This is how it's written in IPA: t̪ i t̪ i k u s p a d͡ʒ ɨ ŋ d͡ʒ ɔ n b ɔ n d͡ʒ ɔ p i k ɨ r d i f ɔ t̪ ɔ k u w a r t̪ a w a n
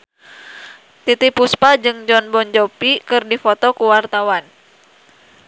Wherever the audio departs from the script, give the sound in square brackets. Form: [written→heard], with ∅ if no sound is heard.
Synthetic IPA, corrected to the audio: t̪ i t̪ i [k→p] u s p a d͡ʒ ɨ ŋ d͡ʒ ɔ n b ɔ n d͡ʒ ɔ p i k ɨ r d i f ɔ t̪ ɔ k u w a r t̪ a w a n